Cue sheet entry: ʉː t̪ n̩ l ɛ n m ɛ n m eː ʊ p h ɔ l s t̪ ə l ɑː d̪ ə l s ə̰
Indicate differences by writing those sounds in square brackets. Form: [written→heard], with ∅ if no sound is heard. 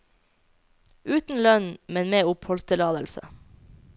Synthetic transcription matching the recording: ʉː t̪ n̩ l [ɛ→œ] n m ɛ n m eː ʊ p h ɔ l s t̪ ə l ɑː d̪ ə l s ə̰

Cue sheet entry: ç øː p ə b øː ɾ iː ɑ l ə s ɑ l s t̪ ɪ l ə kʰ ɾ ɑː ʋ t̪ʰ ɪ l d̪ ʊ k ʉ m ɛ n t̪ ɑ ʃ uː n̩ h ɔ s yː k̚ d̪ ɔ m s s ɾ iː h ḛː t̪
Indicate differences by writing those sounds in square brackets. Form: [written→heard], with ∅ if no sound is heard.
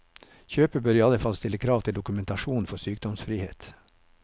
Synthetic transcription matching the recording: ç øː p ə b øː ɾ iː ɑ l ə [s→f] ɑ l s t̪ ɪ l ə kʰ ɾ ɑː ʋ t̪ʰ ɪ l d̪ ʊ k ʉ m ɛ n t̪ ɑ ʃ uː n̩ [h→f] ɔ s yː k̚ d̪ ɔ m s [s→f] ɾ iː h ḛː t̪

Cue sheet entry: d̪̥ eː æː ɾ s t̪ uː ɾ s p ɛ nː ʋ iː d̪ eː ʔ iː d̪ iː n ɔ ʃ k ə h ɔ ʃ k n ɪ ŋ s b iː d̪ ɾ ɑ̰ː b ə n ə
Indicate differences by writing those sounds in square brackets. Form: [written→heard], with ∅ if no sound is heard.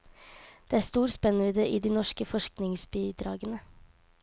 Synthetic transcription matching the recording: d̪̥ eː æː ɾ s t̪ uː ɾ s p ɛ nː ʋ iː d̪ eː ʔ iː d̪ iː n ɔ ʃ k ə [h→f] ɔ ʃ k n ɪ ŋ s b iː d̪ ɾ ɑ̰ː [b→ɡ] ə n ə

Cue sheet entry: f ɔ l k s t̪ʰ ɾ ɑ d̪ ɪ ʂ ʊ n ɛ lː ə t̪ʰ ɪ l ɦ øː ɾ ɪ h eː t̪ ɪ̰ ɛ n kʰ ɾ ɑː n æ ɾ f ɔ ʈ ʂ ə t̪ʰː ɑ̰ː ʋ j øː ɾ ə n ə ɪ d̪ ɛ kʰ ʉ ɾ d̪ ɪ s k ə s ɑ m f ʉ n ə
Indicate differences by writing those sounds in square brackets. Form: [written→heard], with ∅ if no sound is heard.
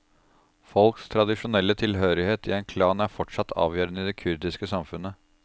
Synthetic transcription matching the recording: f ɔ l k s t̪ʰ ɾ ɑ d̪ ɪ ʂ ʊ n ɛ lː ə t̪ʰ ɪ l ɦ øː ɾ ɪ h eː t̪ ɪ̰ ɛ n kʰ [ɾ→l] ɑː n æ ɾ f ɔ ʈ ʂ [ə→ɑ] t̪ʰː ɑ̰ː ʋ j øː ɾ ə n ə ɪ d̪ ɛ kʰ ʉ ɾ d̪ ɪ s k ə s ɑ m f ʉ n ə

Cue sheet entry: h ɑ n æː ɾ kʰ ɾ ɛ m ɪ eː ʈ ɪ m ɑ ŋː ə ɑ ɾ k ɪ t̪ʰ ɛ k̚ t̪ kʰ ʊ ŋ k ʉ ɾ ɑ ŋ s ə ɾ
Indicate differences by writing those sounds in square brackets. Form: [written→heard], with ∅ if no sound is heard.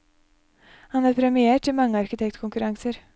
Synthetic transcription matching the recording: h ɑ n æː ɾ [kʰ→pʰ] ɾ ɛ m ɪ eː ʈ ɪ m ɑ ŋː ə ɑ ɾ k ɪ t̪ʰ ɛ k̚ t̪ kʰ ʊ ŋ k ʉ ɾ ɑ ŋ s ə ɾ

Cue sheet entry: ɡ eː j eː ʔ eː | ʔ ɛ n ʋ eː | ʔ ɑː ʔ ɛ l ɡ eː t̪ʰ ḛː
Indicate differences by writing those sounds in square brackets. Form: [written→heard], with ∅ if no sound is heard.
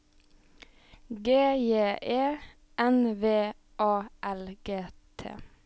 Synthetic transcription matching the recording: ɡ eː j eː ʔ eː | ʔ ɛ n ʋ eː | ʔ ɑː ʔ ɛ l ɡ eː t̪ʰ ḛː

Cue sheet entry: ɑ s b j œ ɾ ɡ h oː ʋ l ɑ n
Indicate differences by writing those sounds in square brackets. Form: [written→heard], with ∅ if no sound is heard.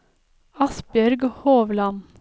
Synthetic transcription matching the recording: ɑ s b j œ ɾ ɡ h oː ʋ l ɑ n

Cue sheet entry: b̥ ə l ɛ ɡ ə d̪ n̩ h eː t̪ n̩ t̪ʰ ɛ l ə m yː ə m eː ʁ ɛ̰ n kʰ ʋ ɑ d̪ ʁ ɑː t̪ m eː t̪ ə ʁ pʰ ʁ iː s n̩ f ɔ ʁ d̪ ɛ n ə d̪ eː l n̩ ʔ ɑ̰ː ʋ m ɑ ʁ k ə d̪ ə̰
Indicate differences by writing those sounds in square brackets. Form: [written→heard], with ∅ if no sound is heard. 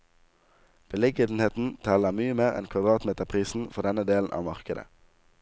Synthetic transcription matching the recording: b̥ ə l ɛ ɡ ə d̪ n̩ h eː t̪ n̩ t̪ʰ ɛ l ə m yː ə m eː ʁ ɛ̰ n kʰ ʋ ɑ d̪ ʁ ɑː t̪ m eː t̪ ə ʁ pʰ ʁ iː s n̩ f ɔ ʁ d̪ ɛ n ə d̪ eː l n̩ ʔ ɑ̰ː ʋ m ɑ ʁ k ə d̪ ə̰

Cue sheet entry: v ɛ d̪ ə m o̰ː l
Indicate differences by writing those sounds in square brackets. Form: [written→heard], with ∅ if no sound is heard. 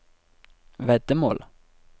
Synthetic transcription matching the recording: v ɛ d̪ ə m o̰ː l

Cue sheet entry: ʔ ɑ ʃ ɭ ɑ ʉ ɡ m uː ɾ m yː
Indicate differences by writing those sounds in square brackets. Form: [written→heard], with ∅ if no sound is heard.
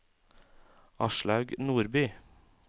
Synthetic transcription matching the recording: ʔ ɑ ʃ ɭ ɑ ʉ ɡ [m→n] uː ɾ [m→b] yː

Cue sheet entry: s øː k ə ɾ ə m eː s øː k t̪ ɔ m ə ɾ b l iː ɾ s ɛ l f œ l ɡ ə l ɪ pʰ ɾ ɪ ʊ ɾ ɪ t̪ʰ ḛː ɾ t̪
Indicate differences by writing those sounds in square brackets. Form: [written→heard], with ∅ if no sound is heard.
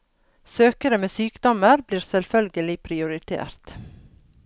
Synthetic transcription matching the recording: s øː k ə ɾ ə m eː s [øː→yː] k [t̪→d̪] ɔ m ə ɾ b l iː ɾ s ɛ l f œ l ɡ ə l ɪ pʰ ɾ ɪ ʊ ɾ ɪ t̪ʰ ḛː ɾ t̪

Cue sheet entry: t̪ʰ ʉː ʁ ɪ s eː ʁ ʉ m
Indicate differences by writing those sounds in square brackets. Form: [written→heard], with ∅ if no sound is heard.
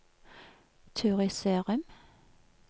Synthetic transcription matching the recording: t̪ʰ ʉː ʁ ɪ s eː ʁ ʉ m

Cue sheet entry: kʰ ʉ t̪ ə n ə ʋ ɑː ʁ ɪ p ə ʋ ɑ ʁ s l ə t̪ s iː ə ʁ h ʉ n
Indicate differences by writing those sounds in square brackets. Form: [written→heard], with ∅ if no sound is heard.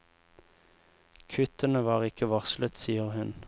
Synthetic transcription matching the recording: kʰ ʉ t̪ ə n ə ʋ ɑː ʁ ɪ [p→k] ə ʋ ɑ ʁ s l ə t̪ s iː ə ʁ h ʉ n

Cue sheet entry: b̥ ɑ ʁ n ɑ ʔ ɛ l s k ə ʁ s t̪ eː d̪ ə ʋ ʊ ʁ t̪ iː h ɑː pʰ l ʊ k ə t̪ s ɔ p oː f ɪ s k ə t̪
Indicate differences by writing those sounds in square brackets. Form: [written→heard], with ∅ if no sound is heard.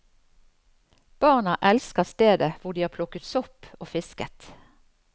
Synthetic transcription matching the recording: b̥ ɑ ʁ n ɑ ʔ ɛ l s k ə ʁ s t̪ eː d̪ ə ʋ ʊ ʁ [t̪→d̪] iː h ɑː pʰ l ʊ k ə t̪ s ɔ p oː f ɪ s k ə t̪

